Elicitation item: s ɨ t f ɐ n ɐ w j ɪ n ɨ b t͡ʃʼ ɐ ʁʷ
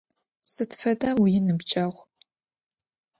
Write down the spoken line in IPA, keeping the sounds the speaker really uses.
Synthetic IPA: s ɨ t f ɐ d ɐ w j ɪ n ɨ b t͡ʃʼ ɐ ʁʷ

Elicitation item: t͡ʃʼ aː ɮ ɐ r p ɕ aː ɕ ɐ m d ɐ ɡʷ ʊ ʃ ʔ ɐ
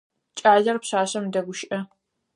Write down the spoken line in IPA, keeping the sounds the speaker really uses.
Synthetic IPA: t͡ʃʼ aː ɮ ɐ r p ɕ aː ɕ ɐ m d ɐ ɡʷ ʊ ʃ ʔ ɐ

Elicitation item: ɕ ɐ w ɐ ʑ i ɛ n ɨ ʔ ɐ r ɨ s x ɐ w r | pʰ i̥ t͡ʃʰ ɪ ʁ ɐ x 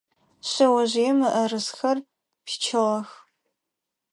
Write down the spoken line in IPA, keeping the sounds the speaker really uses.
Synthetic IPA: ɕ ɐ w ɐ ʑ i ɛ m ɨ ʔ ɐ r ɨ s x ɐ r | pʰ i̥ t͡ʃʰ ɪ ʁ ɐ x

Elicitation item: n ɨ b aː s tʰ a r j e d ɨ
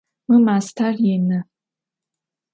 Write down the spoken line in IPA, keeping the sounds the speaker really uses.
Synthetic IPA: m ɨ m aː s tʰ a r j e n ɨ

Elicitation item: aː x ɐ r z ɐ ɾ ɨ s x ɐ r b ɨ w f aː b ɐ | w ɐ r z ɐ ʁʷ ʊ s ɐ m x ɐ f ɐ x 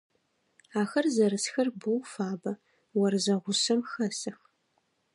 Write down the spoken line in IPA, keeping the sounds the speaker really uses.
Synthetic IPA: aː x ɐ r z ɐ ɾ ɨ s x ɐ r b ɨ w f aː b ɐ | w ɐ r z ɐ ʁʷ ʊ s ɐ m x ɐ s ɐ x

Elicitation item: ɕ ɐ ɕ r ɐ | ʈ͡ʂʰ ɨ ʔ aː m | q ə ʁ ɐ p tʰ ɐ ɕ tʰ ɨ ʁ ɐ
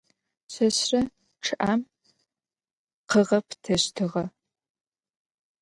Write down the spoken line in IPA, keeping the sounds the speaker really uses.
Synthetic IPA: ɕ ɐ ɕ r ɐ | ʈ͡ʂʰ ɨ ʔ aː m | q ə ʁ ɐ p tʰ ɐ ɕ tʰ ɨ ʁ ɐ

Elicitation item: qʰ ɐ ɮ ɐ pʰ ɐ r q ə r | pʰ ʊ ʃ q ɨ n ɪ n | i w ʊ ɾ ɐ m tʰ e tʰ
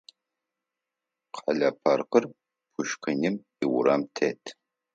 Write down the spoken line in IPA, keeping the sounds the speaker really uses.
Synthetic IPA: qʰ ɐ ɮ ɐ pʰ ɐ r q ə r | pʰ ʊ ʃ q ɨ n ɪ m | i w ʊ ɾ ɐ m tʰ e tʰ

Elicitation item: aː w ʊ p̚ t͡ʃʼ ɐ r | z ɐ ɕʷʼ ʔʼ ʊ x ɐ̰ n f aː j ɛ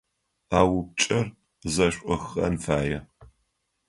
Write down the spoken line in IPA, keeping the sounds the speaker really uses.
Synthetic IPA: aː w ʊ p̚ t͡ʃʼ ɐ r | z ɐ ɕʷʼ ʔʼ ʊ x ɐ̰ n f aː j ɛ

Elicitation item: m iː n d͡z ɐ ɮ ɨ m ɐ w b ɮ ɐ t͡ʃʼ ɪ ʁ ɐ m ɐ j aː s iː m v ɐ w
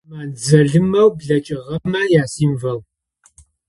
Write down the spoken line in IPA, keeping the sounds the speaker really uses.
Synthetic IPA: m aː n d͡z ɐ ɮ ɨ m ɐ w b ɮ ɐ t͡ʃʼ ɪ ʁ ɐ m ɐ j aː s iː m v ɐ w

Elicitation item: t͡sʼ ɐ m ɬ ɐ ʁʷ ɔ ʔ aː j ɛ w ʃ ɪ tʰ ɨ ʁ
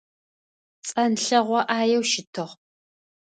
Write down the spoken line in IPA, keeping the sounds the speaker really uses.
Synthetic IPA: t͡sʼ ɐ n ɬ ɐ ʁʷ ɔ ʔ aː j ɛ w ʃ ɪ tʰ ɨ ʁ

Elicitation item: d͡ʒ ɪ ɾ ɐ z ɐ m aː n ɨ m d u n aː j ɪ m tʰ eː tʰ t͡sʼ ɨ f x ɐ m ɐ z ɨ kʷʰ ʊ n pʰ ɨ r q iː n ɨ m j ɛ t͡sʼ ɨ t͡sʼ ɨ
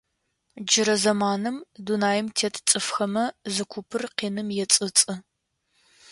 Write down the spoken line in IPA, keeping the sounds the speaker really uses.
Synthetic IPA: d͡ʒ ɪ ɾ ɐ z ɐ m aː n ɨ m d u n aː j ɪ m tʰ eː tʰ t͡sʼ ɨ f x ɐ m ɐ z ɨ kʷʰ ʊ pʰ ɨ r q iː n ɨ m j ɛ t͡sʼ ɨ t͡sʼ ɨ

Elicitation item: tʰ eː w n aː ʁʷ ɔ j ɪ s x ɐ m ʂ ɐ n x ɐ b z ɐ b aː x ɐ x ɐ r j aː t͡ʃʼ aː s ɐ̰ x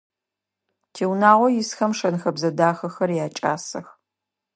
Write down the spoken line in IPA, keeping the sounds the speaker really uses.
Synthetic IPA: tʰ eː w n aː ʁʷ ɔ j ɪ s x ɐ m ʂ ɐ n x ɐ b z ɐ d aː x ɐ x ɐ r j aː t͡ʃʼ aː s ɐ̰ x

